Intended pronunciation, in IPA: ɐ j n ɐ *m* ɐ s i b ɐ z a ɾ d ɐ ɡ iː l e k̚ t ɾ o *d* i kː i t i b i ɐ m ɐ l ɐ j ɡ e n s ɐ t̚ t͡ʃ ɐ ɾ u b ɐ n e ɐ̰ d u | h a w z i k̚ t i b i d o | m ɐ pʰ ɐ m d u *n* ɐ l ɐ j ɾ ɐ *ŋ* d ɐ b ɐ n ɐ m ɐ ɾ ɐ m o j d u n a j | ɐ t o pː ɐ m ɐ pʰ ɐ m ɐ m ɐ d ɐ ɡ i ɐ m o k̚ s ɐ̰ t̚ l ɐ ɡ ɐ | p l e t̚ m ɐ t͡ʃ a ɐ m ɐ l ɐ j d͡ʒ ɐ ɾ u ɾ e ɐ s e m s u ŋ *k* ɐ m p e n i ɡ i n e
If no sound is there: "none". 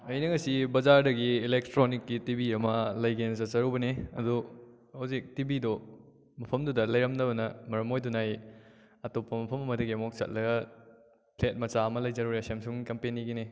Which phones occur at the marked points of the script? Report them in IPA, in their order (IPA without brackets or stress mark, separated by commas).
ŋ, n, d, m, k